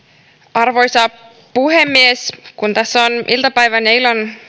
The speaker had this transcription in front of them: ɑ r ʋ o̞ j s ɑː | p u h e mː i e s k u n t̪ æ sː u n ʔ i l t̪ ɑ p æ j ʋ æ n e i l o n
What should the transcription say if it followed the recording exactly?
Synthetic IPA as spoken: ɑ r ʋ o̞ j s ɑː | p u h e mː i e s k u n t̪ æ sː o n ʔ i l t̪ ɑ p æ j ʋ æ n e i l o n